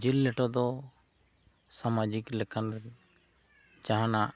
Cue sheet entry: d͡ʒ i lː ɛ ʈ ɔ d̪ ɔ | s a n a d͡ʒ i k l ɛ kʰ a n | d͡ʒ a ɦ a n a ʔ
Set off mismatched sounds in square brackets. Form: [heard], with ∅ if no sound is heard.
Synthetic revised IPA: d͡ʒ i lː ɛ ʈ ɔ d̪ ɔ | s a [m] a d͡ʒ i k l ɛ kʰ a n | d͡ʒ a ɦ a n a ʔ

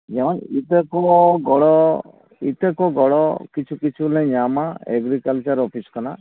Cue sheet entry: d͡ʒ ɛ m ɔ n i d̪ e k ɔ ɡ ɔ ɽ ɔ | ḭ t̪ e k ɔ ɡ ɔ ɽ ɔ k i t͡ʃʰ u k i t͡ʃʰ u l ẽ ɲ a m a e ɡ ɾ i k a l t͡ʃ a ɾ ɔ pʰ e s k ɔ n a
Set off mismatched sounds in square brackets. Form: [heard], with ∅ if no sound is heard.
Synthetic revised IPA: d͡ʒ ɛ m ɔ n i [t̪] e k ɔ ɡ ɔ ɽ ɔ | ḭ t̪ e k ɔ ɡ ɔ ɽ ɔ k i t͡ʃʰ u k i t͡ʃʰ u l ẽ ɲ a m a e ɡ ɾ i k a l t͡ʃ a ɾ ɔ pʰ [i] s k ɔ n a

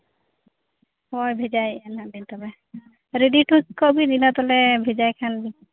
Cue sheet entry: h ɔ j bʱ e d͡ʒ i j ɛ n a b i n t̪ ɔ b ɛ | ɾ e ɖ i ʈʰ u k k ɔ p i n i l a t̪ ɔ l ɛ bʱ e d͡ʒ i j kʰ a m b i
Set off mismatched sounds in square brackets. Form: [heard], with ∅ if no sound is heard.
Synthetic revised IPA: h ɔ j bʱ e d͡ʒ [a] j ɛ n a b i n t̪ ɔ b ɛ | ɾ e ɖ i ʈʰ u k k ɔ [b] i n i l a t̪ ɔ l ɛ bʱ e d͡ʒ [a] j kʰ a [n] b i

